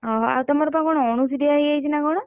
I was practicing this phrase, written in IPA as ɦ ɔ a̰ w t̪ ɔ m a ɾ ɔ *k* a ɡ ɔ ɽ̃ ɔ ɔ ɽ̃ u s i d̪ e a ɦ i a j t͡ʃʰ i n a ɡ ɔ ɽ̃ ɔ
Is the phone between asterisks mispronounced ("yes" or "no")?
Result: yes